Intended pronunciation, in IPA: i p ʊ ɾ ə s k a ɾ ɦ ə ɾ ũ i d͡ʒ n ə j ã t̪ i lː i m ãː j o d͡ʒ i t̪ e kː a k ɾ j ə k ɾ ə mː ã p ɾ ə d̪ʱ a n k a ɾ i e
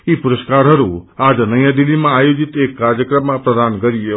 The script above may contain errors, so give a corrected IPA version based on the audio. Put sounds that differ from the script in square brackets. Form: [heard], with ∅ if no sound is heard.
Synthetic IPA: i p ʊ ɾ ə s k a ɾ ɦ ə ɾ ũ [a] d͡ʒ n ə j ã [d̪] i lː i m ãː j o d͡ʒ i t̪ e kː a [∅] ɾ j ə k ɾ ə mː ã p ɾ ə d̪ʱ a n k [ə] ɾ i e